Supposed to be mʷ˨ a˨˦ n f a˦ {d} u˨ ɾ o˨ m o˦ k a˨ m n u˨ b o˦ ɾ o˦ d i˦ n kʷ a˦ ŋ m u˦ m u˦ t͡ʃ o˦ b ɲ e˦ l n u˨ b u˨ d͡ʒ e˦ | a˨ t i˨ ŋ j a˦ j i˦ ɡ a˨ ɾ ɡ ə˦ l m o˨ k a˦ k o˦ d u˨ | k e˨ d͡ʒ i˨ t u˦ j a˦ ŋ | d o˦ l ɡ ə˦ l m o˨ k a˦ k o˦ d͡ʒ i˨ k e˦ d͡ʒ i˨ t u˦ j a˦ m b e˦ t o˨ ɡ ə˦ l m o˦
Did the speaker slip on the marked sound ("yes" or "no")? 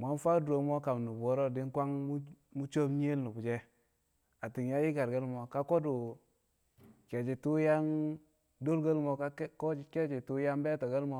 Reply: no